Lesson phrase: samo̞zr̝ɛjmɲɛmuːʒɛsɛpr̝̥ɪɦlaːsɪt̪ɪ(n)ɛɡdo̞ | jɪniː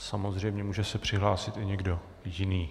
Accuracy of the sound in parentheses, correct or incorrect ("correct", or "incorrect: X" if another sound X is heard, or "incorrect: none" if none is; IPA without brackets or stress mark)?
incorrect: ɲ